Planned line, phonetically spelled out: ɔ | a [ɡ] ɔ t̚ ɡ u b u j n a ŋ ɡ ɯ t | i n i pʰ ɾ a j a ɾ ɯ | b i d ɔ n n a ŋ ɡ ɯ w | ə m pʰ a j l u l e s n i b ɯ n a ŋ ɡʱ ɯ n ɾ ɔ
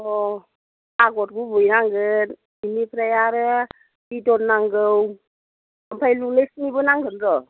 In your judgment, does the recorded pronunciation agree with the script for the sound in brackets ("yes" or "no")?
yes